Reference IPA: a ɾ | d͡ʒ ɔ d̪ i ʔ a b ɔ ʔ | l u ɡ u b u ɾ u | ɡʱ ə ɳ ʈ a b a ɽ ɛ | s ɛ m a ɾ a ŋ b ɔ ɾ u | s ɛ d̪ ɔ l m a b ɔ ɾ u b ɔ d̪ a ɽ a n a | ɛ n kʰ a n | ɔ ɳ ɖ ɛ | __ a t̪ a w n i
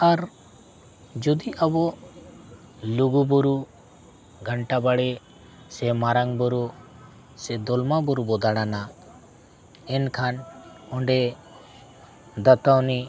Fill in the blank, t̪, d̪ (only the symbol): d̪